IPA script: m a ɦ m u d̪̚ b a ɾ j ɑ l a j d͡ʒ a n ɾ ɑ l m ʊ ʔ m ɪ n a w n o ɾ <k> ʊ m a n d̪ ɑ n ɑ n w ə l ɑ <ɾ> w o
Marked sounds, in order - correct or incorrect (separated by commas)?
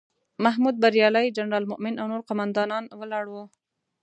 incorrect, incorrect